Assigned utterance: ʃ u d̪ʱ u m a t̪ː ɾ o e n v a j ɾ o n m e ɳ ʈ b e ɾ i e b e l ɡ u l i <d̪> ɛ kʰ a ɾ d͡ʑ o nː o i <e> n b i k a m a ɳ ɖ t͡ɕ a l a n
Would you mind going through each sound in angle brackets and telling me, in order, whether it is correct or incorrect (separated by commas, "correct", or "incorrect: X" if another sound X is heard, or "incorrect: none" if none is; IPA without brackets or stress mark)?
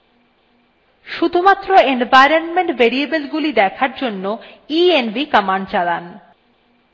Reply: correct, correct